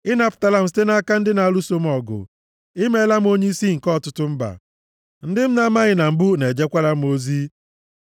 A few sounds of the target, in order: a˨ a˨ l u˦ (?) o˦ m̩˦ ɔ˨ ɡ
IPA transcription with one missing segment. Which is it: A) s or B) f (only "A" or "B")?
A